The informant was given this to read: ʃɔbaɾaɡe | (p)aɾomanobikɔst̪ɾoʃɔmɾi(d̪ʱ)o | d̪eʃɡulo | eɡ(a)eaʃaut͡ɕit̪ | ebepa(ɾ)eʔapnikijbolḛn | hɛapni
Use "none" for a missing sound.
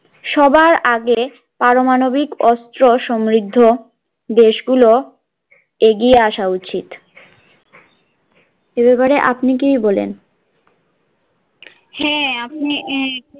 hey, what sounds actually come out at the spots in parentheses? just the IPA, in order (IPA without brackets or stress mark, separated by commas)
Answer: p, d̪ʱː, i, ɾ